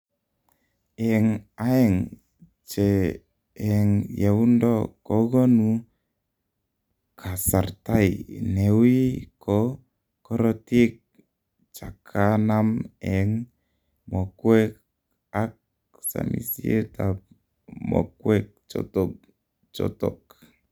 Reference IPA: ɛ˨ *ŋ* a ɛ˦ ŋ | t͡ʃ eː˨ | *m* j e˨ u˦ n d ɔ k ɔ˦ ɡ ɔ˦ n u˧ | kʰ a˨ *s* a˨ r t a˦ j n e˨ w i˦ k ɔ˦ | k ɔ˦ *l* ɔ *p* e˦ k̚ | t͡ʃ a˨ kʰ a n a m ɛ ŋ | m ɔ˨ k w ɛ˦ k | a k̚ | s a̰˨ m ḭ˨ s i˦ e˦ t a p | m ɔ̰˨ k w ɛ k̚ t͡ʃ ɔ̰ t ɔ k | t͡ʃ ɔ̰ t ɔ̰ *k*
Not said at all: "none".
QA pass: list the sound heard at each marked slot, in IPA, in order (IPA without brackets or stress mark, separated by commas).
ŋ, ŋ, s, ɾ, t, k